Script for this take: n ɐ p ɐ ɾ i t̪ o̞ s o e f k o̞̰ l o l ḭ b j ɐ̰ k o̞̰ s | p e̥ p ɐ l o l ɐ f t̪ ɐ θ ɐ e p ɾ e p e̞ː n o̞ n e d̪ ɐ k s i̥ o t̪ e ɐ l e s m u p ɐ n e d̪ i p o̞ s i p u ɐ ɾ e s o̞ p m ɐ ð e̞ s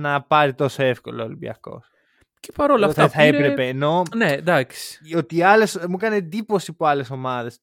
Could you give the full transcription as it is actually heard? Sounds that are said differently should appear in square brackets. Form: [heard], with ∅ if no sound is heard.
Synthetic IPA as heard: n ɐ p ɐ ɾ i t̪ o̞ s o e f k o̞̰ l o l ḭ b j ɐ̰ k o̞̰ s | [c] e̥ p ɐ [ɾ] o l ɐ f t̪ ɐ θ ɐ e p ɾ e p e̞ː n o̞ n e d̪ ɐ k s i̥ o t̪ [i] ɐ l e s m u [k] ɐ n e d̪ i p o̞ s i p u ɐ [l] e s o̞ [∅] m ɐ ð e̞ s